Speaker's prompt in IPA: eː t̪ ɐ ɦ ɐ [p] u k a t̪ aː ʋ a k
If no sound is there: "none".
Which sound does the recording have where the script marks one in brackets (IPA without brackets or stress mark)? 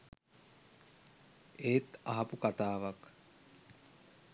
p